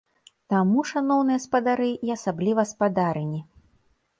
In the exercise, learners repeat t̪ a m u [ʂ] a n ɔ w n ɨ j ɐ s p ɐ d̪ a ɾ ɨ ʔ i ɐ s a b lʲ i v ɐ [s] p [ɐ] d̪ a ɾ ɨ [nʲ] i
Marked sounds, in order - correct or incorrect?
correct, correct, incorrect: a, correct

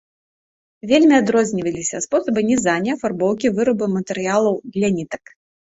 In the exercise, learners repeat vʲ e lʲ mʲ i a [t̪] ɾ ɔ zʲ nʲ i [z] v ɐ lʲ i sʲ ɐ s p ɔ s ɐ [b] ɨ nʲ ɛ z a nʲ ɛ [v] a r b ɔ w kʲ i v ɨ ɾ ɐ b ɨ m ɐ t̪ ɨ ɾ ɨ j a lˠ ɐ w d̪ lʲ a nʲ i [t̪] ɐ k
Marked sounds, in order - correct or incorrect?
incorrect: d̪, incorrect: none, correct, incorrect: f, correct

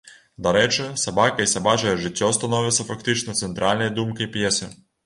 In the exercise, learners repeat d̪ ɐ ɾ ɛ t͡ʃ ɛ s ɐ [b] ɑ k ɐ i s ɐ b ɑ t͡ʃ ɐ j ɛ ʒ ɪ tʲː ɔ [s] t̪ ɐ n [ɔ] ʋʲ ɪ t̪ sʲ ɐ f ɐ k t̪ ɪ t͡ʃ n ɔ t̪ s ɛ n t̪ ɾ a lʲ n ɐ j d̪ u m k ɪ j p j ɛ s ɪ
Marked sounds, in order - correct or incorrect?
correct, correct, correct

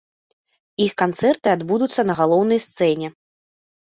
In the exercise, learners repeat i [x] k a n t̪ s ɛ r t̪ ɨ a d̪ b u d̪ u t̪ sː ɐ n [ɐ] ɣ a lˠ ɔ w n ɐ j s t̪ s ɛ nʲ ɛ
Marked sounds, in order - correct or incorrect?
correct, correct

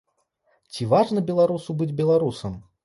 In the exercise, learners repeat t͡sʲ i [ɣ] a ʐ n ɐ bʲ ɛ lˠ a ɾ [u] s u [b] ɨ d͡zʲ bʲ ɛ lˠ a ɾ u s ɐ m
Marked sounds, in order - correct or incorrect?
incorrect: v, correct, correct

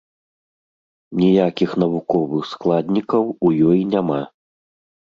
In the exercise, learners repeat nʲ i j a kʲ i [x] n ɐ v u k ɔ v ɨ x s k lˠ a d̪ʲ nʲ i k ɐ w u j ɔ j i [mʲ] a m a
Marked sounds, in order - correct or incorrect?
correct, incorrect: nʲ

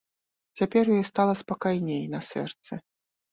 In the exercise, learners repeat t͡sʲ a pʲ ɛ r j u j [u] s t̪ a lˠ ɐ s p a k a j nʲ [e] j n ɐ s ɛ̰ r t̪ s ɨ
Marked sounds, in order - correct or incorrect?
incorrect: ɔ, correct

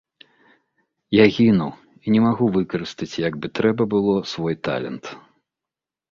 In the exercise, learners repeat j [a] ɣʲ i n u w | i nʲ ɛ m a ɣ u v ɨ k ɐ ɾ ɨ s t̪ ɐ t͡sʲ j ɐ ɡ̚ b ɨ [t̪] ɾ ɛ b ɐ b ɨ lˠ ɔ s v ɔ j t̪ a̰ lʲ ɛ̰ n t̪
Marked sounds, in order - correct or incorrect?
correct, correct

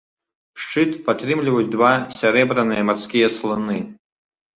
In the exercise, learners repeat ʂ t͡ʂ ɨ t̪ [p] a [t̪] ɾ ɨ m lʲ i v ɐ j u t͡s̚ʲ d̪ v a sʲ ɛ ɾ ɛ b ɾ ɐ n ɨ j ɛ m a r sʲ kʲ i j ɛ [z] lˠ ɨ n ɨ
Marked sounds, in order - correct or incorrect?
correct, correct, incorrect: s

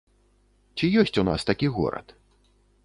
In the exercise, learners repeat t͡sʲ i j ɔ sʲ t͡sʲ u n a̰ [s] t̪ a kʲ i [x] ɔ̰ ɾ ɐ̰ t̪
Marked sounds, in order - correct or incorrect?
correct, incorrect: ɣ

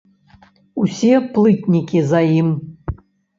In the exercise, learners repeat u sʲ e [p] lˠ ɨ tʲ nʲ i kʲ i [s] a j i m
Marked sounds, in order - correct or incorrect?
correct, incorrect: z

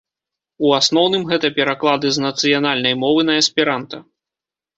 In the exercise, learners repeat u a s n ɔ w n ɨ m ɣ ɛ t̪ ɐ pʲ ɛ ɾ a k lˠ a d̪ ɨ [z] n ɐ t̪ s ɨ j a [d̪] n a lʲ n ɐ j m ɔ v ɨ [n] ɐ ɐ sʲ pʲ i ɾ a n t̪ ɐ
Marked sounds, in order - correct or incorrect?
correct, incorrect: none, correct

